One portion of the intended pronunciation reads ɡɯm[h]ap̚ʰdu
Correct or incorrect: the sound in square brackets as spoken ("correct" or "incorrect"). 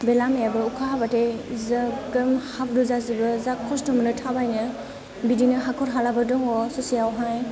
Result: correct